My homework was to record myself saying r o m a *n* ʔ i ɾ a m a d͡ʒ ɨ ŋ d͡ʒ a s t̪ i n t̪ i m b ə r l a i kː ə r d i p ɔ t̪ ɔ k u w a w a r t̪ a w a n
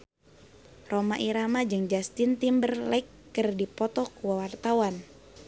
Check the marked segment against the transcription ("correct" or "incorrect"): incorrect